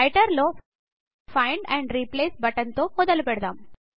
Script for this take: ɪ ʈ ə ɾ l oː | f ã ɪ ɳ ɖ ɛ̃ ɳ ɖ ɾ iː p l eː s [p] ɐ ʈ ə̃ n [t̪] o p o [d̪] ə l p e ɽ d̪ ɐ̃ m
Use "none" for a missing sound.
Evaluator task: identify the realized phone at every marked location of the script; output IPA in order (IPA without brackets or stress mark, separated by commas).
b, t̪, d̪